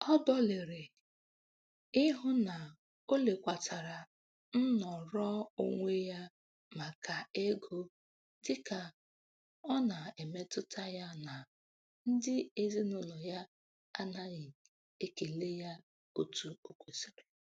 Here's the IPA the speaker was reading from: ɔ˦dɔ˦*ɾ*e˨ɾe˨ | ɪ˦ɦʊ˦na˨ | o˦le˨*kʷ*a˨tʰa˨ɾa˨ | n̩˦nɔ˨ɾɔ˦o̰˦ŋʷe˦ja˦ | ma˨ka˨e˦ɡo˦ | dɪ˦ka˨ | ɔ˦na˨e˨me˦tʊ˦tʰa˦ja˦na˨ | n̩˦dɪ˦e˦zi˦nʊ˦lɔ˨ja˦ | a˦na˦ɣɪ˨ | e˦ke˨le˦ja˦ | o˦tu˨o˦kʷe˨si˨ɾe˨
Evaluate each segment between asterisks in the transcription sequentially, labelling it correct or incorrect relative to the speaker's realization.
incorrect: l, correct

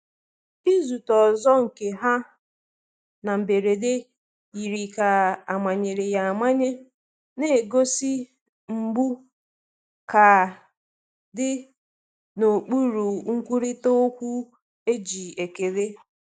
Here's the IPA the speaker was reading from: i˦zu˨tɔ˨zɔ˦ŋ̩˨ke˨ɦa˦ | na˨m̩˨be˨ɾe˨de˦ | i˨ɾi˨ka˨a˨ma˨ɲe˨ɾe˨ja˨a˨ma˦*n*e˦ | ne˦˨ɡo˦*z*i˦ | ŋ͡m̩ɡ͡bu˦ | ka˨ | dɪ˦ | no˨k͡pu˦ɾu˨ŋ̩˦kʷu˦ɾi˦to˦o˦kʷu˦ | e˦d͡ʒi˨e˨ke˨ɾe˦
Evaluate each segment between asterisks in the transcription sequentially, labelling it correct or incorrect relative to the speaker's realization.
incorrect: ɲ, incorrect: s

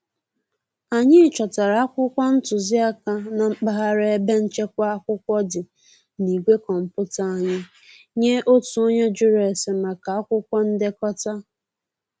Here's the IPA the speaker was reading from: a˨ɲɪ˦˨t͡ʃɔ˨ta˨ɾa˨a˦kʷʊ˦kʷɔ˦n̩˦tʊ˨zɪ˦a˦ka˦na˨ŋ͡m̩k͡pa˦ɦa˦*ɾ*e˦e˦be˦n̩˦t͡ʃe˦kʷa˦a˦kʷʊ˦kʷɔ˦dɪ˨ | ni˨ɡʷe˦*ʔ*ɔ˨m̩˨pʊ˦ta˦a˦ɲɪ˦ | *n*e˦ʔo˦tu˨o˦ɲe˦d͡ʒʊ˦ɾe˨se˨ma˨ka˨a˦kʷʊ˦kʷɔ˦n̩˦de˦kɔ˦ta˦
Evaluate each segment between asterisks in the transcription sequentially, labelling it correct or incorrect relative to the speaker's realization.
correct, incorrect: k, incorrect: ɲ

